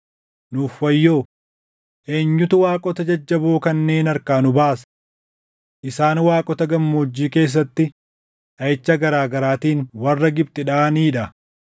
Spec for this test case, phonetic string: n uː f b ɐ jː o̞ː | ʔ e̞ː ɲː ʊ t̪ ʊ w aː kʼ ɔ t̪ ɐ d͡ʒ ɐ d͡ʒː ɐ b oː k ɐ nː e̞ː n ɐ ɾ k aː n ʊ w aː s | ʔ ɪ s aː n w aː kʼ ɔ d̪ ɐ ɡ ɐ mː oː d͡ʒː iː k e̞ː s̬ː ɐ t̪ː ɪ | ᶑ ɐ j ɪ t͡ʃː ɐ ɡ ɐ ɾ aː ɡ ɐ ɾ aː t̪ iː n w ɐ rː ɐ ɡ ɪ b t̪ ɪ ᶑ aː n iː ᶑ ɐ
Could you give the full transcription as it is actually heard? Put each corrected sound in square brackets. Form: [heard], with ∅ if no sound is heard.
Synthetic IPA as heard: n uː f [w] ɐ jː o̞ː | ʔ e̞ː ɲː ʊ t̪ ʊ w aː kʼ ɔ t̪ ɐ d͡ʒ ɐ d͡ʒː ɐ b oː k ɐ nː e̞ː n ɐ ɾ k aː n ʊ [b] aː s | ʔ ɪ s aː n w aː kʼ ɔ [t̪] ɐ ɡ ɐ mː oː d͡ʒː iː k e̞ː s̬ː ɐ t̪ː ɪ | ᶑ ɐ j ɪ t͡ʃː ɐ ɡ ɐ ɾ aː ɡ ɐ ɾ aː t̪ iː n w ɐ rː ɐ ɡ ɪ b t̪ ɪ ᶑ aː n iː ᶑ ɐ